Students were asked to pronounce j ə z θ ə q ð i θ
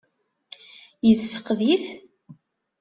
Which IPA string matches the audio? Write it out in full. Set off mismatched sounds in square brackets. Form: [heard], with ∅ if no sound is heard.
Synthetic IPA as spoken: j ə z [f] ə q ð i θ